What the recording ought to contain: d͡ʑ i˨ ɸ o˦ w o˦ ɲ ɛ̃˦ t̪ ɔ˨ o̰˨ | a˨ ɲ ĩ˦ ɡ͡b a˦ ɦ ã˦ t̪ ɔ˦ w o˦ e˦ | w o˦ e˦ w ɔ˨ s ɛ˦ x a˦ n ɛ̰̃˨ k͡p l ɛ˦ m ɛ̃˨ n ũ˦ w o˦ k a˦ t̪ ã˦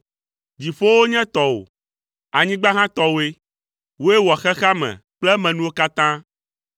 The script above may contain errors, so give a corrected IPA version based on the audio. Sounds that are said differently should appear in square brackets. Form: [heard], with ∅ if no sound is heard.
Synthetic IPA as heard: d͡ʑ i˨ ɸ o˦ w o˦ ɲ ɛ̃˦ t̪ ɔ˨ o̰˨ | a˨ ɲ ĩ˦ ɡ͡b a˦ ɦ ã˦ t̪ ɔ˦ w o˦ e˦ | w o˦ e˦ w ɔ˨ [x] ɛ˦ x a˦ [m] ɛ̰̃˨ k͡p l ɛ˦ m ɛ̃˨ n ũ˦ w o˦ k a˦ t̪ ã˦